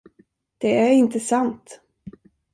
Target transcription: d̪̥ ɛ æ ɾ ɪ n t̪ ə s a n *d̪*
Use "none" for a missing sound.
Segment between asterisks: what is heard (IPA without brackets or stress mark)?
t̪